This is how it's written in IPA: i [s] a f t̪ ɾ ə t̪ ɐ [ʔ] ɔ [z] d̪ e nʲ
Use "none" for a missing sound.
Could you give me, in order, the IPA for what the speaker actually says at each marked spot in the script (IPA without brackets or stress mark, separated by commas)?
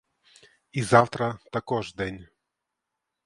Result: z, k, ʐ